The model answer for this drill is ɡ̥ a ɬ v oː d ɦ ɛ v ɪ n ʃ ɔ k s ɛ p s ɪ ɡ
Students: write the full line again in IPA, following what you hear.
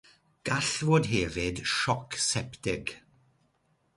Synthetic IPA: ɡ̥ a ɬ v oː d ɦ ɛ v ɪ d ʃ ɔ k s ɛ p t ɪ ɡ